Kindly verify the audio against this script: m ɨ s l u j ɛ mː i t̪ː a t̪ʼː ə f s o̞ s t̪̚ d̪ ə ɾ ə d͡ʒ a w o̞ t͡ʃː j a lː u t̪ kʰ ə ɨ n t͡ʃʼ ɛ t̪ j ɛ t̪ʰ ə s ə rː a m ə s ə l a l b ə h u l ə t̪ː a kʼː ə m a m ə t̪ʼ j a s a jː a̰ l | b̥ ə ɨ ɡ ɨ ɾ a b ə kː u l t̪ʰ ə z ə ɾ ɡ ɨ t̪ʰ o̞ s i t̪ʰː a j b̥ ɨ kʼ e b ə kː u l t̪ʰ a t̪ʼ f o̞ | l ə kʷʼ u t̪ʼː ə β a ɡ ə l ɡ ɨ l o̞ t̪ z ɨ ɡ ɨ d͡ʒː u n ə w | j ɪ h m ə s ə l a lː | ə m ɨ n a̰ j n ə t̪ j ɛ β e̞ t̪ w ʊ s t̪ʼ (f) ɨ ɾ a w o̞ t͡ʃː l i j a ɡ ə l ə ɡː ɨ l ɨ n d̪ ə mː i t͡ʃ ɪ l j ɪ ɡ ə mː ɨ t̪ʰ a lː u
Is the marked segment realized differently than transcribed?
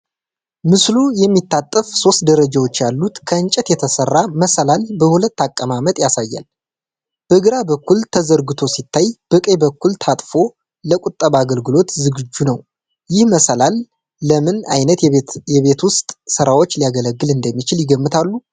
yes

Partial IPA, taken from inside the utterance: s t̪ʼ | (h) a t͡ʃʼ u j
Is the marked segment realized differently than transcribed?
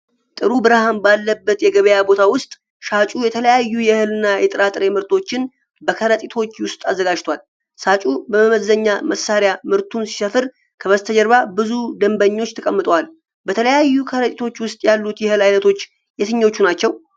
yes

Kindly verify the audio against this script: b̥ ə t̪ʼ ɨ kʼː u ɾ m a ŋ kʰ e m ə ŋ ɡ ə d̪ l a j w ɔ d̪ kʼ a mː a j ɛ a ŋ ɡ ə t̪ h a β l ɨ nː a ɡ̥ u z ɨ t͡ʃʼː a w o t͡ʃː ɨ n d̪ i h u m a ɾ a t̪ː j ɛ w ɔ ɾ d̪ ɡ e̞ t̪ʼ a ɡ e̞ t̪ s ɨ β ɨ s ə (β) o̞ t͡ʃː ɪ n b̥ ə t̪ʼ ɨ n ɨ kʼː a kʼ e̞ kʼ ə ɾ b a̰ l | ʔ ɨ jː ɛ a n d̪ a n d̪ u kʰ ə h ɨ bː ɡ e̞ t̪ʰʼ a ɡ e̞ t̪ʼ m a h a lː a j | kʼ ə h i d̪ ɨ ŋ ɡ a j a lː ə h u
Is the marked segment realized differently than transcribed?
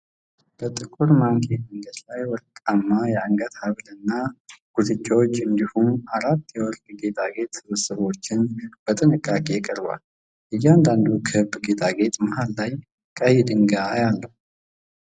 no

